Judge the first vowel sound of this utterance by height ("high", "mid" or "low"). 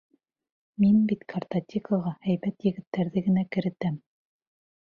high